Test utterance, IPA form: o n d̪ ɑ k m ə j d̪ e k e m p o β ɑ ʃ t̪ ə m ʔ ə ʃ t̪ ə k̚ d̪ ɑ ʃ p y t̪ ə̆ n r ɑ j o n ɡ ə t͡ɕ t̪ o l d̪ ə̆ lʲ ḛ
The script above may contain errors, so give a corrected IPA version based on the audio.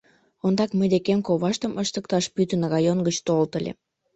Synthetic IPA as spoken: o n d̪ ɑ k m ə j d̪ e k e m k o β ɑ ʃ t̪ ə m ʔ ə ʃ t̪ ə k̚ t̪ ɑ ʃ p y t̪ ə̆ n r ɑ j o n ɡ ə t͡ɕ t̪ o l t̪ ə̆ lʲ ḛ

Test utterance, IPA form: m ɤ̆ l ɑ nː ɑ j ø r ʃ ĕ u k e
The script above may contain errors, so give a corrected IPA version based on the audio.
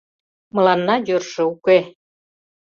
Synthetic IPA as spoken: m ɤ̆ l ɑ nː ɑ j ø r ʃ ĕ u k e

